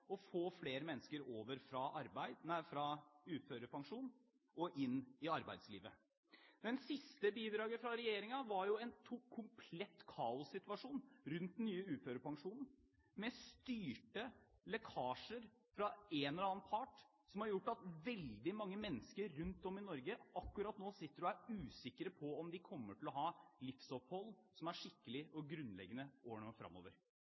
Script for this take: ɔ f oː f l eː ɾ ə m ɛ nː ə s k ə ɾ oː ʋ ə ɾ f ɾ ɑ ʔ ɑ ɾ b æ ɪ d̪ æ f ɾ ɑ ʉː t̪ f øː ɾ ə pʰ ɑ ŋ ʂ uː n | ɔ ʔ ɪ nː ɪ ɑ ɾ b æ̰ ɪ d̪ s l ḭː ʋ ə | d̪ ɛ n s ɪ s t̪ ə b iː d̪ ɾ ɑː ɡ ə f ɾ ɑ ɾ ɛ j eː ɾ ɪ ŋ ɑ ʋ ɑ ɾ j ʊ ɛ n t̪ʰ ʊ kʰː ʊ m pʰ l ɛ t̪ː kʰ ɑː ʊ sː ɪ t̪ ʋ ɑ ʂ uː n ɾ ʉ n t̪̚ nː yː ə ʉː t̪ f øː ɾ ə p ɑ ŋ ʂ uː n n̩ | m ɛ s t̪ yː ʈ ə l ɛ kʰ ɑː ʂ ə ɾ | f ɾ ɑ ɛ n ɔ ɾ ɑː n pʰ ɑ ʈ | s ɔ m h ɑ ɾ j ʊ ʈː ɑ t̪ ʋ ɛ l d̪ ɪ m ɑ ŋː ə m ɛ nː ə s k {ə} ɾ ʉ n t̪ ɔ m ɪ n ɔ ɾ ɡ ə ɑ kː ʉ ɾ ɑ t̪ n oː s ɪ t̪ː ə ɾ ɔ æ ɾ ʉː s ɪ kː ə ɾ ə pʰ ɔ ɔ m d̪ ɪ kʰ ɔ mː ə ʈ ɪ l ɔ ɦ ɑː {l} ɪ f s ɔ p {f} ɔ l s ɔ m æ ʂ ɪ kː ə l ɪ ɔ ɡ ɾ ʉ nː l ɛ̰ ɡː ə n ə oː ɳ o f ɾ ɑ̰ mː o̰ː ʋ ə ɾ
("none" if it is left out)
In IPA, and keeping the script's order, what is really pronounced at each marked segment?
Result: ə, l, h

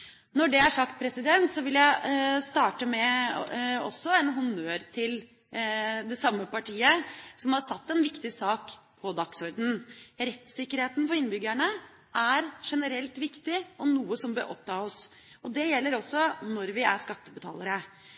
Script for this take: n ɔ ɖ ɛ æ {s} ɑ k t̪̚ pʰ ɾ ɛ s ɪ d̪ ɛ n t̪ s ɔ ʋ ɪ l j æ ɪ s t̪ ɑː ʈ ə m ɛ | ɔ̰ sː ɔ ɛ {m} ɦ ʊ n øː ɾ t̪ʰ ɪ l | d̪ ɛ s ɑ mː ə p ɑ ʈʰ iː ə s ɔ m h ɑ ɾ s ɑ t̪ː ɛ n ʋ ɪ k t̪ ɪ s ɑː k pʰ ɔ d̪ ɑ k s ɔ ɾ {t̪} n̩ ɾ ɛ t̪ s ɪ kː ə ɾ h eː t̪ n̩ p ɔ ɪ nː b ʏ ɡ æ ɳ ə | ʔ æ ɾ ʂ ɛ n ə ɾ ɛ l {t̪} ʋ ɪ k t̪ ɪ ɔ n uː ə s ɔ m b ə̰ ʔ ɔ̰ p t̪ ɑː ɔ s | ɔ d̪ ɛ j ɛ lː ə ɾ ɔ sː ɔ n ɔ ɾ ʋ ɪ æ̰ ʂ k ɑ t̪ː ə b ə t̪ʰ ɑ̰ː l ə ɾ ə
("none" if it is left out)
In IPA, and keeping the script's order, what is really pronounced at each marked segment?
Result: ʂ, n, d̪, t̪

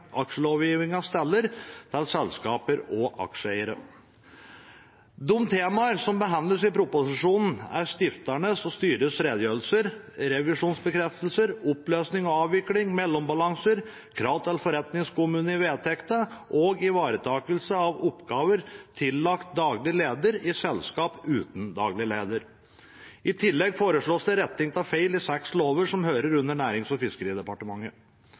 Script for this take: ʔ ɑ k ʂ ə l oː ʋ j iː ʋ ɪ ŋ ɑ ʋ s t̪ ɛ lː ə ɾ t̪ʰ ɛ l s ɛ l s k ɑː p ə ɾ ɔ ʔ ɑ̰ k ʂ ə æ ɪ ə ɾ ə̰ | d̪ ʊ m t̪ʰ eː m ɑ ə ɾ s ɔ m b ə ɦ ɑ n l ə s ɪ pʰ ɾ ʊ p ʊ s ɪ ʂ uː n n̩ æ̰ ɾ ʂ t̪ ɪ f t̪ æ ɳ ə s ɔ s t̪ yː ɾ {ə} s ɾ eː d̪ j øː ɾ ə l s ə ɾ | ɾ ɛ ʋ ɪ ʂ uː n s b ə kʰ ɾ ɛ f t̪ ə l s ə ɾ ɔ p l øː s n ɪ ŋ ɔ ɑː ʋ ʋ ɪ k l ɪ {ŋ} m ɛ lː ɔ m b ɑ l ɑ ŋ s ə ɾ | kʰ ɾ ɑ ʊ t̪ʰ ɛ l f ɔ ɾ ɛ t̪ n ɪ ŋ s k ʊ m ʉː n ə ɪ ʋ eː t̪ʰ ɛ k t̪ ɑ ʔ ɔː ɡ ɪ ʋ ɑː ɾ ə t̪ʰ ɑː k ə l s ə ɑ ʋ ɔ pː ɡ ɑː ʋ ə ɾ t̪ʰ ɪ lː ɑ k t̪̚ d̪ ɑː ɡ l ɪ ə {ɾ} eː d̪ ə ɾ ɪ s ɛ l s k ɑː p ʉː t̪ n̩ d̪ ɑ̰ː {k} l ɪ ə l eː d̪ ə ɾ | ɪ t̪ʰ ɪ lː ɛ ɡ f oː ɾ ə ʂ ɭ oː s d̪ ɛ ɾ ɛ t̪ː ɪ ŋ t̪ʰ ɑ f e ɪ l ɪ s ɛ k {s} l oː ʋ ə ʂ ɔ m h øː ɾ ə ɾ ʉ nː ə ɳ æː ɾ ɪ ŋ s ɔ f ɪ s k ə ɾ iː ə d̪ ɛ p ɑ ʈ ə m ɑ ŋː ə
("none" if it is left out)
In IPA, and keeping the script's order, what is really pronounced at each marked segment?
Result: ə, ŋ, l, ɡ, s

